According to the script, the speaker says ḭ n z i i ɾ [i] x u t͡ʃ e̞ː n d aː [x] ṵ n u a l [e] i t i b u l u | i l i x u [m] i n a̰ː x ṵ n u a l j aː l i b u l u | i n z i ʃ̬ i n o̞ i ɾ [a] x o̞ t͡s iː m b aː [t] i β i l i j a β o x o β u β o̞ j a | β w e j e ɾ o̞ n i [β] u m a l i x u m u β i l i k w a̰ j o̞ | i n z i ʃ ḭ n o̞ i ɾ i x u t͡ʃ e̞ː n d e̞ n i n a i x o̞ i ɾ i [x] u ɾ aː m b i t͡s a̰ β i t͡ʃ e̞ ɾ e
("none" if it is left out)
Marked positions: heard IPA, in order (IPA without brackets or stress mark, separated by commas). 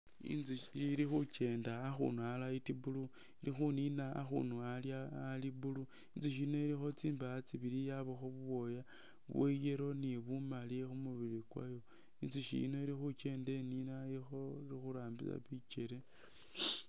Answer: i, x, a, n, i, t͡s, β, x